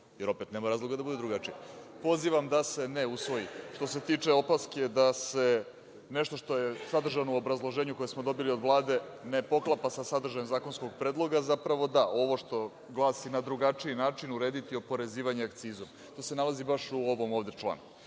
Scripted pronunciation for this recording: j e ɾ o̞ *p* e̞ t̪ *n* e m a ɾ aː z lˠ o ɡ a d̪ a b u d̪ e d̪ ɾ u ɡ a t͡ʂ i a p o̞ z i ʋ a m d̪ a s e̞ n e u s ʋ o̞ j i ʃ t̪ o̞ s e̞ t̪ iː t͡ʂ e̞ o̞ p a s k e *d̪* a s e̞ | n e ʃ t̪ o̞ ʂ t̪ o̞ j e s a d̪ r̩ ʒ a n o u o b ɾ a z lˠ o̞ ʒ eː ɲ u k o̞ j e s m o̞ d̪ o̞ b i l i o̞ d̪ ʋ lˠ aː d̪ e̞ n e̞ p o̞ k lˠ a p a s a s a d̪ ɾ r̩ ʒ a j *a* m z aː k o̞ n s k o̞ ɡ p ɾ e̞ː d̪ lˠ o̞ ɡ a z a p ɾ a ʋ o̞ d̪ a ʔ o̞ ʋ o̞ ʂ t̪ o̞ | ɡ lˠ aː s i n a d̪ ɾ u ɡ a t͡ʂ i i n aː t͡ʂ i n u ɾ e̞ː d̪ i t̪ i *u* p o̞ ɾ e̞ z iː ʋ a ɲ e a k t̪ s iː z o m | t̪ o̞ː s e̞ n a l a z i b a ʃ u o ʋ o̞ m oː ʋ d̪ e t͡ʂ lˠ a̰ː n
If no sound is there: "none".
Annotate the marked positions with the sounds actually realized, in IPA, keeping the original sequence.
p, n, d̪, e, o

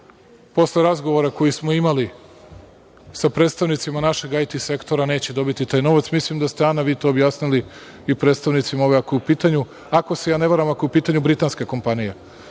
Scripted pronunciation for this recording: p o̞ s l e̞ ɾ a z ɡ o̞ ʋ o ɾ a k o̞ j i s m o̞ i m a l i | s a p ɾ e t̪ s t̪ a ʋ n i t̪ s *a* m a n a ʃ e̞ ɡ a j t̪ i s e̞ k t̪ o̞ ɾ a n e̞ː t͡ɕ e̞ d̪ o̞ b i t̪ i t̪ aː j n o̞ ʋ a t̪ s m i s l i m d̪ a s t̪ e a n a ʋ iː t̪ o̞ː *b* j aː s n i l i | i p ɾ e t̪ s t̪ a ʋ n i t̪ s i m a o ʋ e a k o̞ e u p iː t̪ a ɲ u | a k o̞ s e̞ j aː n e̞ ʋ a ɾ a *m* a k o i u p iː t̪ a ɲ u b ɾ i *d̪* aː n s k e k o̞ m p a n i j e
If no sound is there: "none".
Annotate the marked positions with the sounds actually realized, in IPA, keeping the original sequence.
i, b, m, t̪

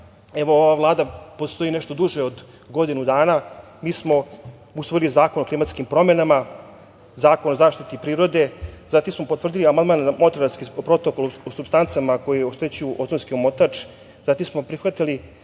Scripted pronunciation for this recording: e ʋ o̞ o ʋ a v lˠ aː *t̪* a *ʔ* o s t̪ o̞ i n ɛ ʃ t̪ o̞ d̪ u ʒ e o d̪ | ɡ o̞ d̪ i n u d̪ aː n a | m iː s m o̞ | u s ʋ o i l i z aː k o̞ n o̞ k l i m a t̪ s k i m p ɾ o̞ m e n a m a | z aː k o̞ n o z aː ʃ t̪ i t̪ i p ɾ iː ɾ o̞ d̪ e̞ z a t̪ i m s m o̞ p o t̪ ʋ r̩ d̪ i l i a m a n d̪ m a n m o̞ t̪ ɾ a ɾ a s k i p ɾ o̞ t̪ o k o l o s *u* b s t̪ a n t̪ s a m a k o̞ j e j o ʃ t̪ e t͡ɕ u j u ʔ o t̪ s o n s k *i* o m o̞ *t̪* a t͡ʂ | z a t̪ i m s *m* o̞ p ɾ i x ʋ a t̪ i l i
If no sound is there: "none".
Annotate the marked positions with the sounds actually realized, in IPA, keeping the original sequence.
d̪, p, u, i, t̪, m

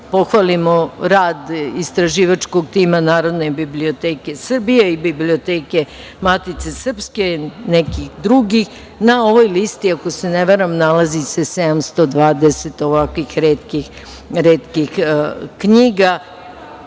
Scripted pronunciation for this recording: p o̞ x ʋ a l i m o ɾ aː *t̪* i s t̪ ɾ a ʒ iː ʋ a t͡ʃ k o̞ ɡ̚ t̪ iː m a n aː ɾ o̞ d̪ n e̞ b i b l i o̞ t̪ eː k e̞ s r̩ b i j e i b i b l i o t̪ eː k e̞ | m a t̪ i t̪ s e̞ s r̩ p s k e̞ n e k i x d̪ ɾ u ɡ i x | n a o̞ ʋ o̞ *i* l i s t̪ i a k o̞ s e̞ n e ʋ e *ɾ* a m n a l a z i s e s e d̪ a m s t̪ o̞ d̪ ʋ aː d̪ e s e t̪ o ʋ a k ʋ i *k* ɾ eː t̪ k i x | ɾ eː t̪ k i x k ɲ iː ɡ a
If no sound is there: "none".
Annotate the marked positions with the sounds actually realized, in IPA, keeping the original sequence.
d̪, j, ɾ, x

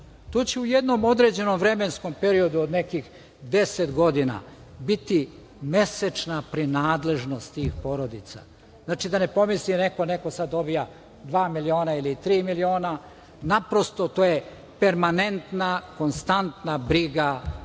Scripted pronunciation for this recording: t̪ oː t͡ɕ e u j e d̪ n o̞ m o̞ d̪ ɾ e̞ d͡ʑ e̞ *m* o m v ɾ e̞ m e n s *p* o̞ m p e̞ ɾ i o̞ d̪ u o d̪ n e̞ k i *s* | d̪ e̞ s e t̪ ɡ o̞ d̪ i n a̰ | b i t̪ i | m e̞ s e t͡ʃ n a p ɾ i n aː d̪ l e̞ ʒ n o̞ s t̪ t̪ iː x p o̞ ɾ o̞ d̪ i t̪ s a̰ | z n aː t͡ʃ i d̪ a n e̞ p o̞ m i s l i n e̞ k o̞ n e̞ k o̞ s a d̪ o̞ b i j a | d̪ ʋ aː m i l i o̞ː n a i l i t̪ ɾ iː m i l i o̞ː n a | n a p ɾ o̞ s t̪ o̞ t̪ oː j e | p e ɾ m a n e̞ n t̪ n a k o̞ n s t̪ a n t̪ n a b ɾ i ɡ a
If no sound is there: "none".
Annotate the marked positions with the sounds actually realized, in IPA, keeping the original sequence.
n, k, x

